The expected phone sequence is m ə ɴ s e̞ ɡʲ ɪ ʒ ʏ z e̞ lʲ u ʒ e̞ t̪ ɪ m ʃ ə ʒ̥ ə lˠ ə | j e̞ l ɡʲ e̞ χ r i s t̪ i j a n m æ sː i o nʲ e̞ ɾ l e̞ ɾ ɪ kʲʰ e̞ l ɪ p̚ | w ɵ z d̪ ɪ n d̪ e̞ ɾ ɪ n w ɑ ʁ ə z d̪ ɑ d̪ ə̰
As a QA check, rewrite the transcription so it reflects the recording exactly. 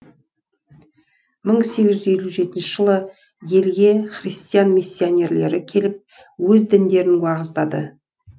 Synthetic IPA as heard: m ə ɴ s e̞ ɡʲ ɪ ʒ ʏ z e̞ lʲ u ʒ e̞ t̪ ɪ n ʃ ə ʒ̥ ə lˠ ə | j e̞ l ɡʲ e̞ χ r i s t̪ i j a n m i sː i o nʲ e̞ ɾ l e̞ ɾ ɪ kʲʰ e̞ l ɪ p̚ | w ɵ z d̪ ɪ n d̪ e̞ ɾ ɪ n w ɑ ʁ ə z d̪ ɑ d̪ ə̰

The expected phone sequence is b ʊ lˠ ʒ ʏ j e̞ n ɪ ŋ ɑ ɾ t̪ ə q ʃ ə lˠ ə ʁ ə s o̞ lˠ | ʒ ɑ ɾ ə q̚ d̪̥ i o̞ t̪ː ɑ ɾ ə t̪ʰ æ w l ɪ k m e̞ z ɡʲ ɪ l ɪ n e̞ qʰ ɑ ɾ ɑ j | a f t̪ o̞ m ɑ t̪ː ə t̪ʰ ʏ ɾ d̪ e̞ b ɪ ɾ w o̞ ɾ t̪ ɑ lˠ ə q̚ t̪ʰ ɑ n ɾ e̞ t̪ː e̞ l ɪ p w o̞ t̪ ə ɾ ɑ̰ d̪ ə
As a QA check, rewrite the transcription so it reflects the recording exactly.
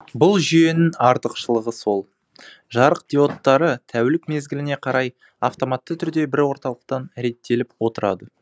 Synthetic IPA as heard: b ʊ lˠ ʒ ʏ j e̞ n ɪ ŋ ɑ ɾ t̪ ə q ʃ ə lˠ ə ʁ ə s o̞ lˠ | ʒ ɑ ɾ ə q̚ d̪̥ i o̞ t̪ː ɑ ɾ ə t̪ʰ æ w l ɪ k m e̞ z ɡʲ ɪ l ɪ n e̞ qʰ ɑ ɾ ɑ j | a f t̪ o̞ m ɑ t̪ː ə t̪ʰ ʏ ɾ d̪ e̞ b ɪ ɾ w o̞ ɾ t̪ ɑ lˠ ə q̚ t̪ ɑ n ɾ e̞ t̪ː e̞ l ɪ p w o̞ t̪ ə ɾ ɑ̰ d̪ ə

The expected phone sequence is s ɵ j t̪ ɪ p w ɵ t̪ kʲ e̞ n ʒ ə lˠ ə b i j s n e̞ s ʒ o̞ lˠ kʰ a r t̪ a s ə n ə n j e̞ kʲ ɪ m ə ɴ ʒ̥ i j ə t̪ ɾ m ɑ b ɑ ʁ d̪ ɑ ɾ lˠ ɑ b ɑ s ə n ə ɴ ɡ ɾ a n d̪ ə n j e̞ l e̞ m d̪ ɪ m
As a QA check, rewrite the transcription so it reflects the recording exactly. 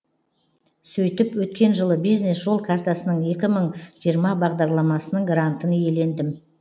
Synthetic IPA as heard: s ɵ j t̪ ɪ p w ɵ t̪ kʲ e̞ n ʒ ə lˠ ə b i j z n e̞ s ʒ o̞ lˠ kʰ a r t̪ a s ə n ə ɴ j e̞ kʲ ɪ m ə ɴ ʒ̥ i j ə ɾ m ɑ b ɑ ʁ d̪ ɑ ɾ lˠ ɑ m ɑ s ə n ə ɴ ɡ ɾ a n t̪ ə n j e̞ l e̞ n d̪ ɪ m

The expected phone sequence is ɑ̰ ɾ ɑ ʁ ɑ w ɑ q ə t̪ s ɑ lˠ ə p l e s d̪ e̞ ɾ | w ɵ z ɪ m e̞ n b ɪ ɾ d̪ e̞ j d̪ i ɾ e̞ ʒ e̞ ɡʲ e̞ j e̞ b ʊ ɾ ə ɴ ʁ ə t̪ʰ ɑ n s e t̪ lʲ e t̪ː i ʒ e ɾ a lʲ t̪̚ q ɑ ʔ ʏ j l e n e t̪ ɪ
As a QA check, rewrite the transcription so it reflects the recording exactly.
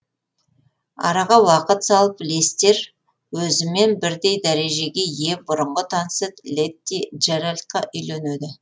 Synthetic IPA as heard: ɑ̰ ɾ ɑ ʁ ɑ w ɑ q ə t̪ s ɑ lˠ ə p l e s t̪ e̞ ɾ | w ɵ z ɪ m e̞ n b ɪ ɾ d̪ e̞ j d̪ æ ɾ e̞ ʒ e̞ ɡʲ e̞ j e̞ b ʊ ɾ ə ɴ ʁ ə t̪ʰ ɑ n s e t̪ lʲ e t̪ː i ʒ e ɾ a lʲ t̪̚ q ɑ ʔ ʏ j l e n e d̪ ɪ

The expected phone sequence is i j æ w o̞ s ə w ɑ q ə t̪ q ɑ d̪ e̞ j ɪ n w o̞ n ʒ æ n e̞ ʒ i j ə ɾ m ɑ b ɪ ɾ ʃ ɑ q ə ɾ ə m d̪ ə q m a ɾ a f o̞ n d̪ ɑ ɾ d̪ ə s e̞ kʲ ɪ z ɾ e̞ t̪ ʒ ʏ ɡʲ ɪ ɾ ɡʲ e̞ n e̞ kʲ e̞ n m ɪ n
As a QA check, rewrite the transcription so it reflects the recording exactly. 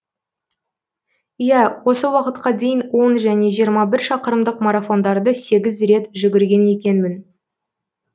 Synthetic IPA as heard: i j æ w o̞ s ə w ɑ q ə t̪ q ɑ d̪ e̞ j ɪ n w o̞ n ʒ æ n e̞ ʒ i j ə ɾ m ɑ b ɪ ɾ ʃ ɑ q ə ɾ ə m d̪ ə q m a ɾ a f o̞ n d̪ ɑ ɾ d̪ ə s e̞ ɡʲ ɪ z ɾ e̞ t̪ ʒ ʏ ɡʲ ɪ ɾ ɡʲ e̞ n e̞ kʲ e̞ n m ɪ n

